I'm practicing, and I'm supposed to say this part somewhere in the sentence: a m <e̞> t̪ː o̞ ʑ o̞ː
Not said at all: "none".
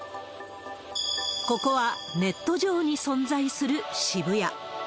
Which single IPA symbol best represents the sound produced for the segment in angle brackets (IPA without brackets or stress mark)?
e̞